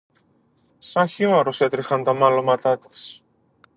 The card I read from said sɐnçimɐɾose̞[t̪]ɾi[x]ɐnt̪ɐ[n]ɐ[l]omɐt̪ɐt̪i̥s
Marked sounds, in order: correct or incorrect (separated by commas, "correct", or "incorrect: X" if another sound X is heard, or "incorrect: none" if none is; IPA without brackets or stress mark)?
correct, correct, incorrect: m, correct